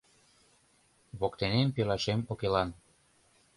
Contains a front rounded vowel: no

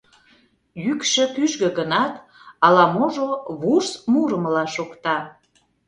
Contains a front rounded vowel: yes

